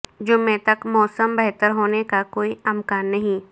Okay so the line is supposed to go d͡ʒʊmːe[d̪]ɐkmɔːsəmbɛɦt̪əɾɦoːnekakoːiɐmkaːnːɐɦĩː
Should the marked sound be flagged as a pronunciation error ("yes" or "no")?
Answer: yes